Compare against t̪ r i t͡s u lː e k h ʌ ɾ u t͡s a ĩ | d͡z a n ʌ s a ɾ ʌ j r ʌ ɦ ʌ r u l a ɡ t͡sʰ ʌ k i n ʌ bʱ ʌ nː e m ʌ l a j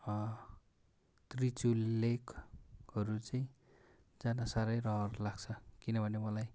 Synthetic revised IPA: t̪ r i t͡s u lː e k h ʌ ɾ u t͡s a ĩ | d͡z a n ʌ s a ɾ ʌ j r ʌ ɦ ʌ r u l a ɡ t͡sʰ ʌ k i n ʌ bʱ ʌ n e m ʌ l a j